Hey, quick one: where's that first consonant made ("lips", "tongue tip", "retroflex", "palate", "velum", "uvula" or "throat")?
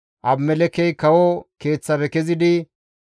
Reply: throat